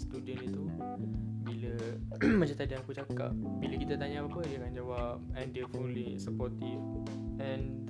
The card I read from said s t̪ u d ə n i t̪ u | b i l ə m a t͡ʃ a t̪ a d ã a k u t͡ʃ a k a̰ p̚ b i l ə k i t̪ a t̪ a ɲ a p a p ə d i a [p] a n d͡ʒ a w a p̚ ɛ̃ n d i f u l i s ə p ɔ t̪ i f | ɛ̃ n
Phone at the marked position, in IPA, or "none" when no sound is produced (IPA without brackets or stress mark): k